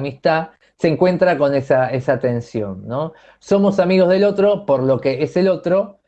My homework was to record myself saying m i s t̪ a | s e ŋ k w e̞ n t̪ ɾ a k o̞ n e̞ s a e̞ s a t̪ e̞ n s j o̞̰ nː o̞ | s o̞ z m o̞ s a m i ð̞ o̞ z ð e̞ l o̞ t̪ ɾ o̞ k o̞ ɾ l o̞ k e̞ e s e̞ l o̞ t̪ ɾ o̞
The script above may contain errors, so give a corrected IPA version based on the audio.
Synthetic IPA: m i s t̪ a | s e ŋ k w e̞ n t̪ ɾ a k o̞ n e̞ s a e̞ s a t̪ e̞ n s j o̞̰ nː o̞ | s o̞ m o̞ s a m i ɣ̞ o̞ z ð e̞ l o̞ t̪ ɾ o̞ p o̞ ɾ l o̞ k e̞ e s e̞ l o̞ t̪ ɾ o̞